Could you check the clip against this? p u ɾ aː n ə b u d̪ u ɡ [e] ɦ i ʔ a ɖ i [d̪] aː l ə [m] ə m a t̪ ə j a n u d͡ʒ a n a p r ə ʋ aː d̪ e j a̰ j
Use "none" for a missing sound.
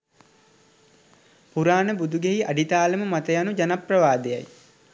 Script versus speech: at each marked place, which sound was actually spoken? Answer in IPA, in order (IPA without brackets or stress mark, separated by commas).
e, t̪, m